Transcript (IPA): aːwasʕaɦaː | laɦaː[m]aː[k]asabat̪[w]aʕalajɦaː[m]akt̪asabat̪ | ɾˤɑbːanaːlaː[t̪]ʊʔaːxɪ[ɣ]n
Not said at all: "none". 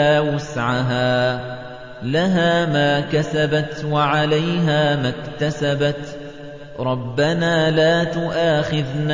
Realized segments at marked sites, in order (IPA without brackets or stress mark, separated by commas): m, k, w, m, t̪, ð